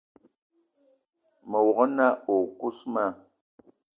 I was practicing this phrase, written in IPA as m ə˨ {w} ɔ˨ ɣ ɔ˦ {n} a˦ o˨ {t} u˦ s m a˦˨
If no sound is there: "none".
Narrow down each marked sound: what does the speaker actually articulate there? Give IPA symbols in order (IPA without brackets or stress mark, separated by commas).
w, n, k